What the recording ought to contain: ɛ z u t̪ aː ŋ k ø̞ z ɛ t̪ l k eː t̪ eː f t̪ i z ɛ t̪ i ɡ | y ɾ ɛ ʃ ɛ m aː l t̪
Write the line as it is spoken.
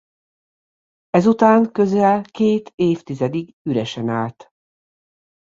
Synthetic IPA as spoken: ɛ z u t̪ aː ŋ k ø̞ z ɛ l k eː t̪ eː f t̪ i z ɛ d̪ i ɡ | y ɾ ɛ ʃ ɛ n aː l t̪